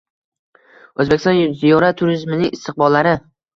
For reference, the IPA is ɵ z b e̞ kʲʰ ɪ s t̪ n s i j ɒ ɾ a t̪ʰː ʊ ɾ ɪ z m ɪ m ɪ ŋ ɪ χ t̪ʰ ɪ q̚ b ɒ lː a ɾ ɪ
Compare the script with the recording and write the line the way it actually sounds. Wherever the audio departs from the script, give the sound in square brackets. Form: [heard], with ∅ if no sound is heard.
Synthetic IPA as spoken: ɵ z b e̞ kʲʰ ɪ s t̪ n [z] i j ɒ ɾ a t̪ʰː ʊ ɾ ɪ z m ɪ [n] ɪ ŋ ɪ [s] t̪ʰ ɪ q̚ b ɒ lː a ɾ ɪ